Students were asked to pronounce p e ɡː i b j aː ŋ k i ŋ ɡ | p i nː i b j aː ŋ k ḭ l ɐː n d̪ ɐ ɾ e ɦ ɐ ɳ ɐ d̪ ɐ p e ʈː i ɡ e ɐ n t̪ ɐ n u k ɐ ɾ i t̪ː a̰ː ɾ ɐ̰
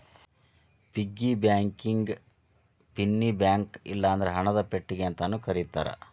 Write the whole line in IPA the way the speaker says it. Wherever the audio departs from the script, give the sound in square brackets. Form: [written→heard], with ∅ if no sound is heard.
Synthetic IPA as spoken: p [e→i] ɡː i b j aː ŋ k i ŋ ɡ | p i nː i b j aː ŋ k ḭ [l→lː] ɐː n d̪ ɐ ɾ e ɦ ɐ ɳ ɐ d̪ ɐ p e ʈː i ɡ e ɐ n t̪ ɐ n u k ɐ ɾ i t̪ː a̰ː ɾ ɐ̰